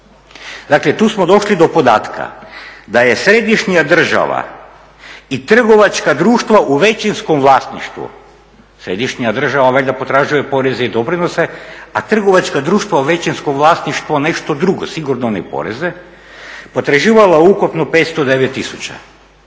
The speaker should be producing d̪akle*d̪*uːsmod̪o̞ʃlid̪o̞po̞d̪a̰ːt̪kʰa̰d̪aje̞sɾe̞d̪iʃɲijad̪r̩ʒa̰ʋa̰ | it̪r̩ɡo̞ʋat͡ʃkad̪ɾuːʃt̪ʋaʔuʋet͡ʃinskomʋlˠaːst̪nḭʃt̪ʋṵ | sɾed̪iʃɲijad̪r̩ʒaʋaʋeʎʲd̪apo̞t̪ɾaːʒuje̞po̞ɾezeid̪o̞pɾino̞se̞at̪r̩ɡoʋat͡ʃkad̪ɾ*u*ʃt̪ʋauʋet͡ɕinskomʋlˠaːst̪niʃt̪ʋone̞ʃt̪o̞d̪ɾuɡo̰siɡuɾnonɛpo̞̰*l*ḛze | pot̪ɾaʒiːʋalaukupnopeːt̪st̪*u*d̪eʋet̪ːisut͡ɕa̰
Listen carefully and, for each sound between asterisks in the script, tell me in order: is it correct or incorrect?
incorrect: t̪, incorrect: uː, incorrect: ɾ, incorrect: o

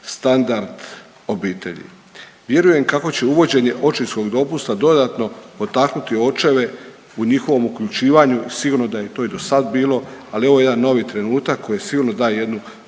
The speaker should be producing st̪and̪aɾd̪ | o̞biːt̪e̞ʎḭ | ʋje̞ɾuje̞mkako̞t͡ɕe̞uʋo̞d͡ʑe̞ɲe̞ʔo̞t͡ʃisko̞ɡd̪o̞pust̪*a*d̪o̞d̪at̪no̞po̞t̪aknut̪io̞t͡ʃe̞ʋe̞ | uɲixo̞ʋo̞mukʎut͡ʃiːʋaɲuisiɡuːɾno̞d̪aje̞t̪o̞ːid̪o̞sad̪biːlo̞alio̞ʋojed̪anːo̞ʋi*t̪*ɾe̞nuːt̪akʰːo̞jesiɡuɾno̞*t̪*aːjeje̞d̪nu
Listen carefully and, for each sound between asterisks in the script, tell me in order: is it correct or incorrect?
correct, correct, incorrect: d̪

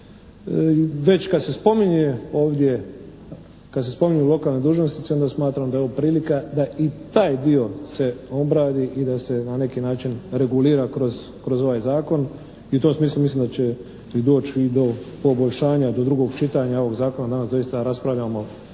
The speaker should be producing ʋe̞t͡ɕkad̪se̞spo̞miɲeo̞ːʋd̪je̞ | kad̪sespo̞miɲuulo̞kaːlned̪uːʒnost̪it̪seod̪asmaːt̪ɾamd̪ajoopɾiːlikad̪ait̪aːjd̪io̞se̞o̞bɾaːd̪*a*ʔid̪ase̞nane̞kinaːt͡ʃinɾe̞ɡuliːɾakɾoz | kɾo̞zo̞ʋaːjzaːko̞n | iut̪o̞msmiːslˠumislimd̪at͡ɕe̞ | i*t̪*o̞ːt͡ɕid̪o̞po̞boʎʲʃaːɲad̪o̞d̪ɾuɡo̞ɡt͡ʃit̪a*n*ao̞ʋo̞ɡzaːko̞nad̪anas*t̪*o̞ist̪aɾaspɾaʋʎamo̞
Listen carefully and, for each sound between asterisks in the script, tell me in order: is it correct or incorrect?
incorrect: i, incorrect: d̪, incorrect: ɲ, incorrect: d̪

